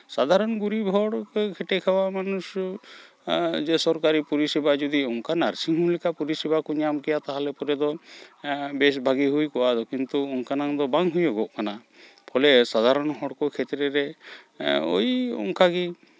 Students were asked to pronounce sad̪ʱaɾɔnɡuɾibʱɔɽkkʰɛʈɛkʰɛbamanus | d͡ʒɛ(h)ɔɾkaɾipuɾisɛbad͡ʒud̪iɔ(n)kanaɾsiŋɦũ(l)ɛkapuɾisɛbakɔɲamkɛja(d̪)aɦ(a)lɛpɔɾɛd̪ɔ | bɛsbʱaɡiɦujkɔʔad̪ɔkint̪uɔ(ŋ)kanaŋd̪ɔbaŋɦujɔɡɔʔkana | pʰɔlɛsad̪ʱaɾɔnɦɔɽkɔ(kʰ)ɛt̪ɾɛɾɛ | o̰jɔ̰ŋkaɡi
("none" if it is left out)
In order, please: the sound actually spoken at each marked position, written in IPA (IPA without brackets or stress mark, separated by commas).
s, ŋ, l, t̪, a, ŋ, kʰ